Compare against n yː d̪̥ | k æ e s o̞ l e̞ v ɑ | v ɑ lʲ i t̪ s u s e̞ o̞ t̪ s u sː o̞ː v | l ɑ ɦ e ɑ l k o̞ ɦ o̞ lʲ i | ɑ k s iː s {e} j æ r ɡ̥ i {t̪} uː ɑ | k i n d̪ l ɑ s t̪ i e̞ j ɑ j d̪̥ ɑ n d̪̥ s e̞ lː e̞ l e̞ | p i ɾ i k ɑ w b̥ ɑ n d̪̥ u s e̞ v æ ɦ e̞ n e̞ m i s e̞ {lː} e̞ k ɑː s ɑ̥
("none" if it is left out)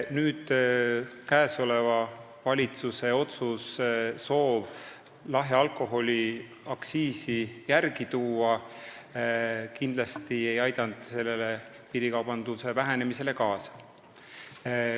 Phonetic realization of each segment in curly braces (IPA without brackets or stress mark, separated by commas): i, t̪, l